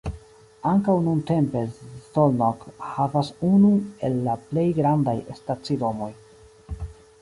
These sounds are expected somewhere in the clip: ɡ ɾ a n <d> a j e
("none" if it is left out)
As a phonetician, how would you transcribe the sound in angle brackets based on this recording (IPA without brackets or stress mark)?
d